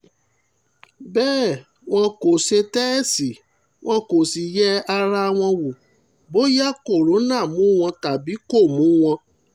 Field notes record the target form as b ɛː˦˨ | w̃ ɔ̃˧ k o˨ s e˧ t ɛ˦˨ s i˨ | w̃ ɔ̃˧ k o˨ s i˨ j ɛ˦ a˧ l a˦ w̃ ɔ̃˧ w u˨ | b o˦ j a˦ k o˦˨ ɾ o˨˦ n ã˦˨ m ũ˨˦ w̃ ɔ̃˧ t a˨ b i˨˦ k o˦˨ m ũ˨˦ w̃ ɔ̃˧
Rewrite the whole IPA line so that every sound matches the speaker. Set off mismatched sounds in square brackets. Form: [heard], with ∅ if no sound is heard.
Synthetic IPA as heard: b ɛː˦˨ | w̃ ɔ̃˧ k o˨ s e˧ t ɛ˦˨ s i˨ | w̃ ɔ̃˧ k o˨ s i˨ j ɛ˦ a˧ [ɾ] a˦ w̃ ɔ̃˧ w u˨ | b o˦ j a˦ k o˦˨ ɾ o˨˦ n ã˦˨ m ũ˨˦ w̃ ɔ̃˧ t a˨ b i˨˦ k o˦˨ m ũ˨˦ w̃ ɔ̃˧